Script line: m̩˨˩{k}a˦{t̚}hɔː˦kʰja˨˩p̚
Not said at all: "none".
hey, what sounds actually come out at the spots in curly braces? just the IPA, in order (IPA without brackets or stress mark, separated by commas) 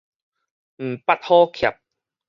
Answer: p, t̚